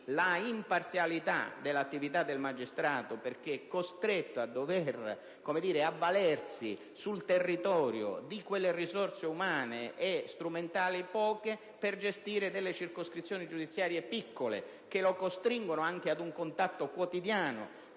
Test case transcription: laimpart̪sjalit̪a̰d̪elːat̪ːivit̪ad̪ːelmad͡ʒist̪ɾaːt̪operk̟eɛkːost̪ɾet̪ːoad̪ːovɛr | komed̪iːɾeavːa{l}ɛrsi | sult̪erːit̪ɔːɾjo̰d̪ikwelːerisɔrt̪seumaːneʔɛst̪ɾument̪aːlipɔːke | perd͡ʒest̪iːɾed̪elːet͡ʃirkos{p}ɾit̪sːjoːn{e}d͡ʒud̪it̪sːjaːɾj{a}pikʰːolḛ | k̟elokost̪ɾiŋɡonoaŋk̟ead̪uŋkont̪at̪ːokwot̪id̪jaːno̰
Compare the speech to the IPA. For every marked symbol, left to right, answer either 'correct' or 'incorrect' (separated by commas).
correct, incorrect, incorrect, incorrect